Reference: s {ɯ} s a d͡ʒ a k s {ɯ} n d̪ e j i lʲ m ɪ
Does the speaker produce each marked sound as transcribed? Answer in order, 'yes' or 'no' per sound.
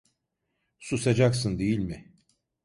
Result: no, yes

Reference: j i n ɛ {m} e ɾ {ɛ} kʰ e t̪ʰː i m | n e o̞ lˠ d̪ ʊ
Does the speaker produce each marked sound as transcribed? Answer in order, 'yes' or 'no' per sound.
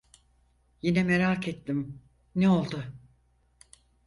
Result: yes, no

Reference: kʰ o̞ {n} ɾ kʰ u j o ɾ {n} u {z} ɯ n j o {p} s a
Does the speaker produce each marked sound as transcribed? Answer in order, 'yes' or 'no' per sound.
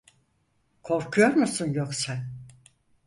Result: no, no, no, no

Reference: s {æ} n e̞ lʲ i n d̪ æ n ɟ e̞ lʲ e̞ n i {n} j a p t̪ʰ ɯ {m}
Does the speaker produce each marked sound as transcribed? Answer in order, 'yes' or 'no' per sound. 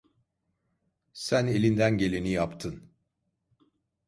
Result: yes, no, no

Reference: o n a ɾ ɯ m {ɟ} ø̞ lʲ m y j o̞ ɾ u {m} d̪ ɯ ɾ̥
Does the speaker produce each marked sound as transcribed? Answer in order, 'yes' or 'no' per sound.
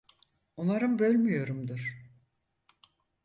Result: no, yes

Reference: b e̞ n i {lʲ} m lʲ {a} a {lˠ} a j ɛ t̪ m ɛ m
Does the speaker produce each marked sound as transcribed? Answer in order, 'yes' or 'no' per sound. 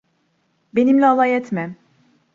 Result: no, no, yes

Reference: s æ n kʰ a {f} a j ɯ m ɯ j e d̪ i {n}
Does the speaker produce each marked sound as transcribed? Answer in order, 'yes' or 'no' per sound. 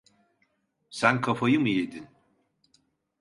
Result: yes, yes

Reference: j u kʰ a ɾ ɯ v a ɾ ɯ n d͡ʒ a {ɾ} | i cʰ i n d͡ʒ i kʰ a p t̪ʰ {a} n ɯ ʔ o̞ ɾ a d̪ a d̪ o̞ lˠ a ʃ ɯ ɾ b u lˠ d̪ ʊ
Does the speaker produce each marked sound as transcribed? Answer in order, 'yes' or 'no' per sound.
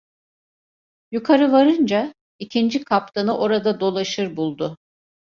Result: no, yes

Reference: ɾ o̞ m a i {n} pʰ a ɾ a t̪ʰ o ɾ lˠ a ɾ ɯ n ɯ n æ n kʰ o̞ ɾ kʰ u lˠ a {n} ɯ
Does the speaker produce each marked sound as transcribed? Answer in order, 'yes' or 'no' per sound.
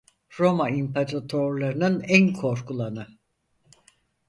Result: no, yes

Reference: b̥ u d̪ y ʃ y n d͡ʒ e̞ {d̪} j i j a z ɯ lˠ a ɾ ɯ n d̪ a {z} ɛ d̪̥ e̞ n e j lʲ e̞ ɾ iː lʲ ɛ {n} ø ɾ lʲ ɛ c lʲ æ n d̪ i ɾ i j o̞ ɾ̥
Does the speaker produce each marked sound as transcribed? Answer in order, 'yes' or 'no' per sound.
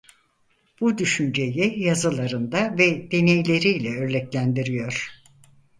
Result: no, no, no

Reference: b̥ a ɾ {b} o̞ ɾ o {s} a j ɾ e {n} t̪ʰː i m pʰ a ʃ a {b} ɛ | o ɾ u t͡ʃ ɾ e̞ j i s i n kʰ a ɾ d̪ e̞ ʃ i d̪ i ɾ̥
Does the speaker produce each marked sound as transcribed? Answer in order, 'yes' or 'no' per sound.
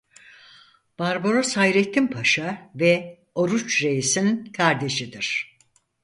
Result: yes, yes, no, no

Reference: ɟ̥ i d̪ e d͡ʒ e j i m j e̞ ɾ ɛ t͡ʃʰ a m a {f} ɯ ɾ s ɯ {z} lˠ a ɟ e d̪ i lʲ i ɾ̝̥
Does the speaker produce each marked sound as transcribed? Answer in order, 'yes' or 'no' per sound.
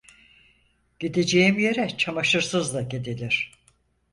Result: no, yes

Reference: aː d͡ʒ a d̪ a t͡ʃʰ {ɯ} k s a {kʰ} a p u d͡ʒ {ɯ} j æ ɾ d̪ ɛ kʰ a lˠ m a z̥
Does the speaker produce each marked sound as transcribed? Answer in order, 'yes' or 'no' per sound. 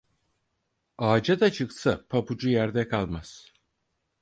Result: yes, no, no

